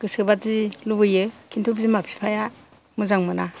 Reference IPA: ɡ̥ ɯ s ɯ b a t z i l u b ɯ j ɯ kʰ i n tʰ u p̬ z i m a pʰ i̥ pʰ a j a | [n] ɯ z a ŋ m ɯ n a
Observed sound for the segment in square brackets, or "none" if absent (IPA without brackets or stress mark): m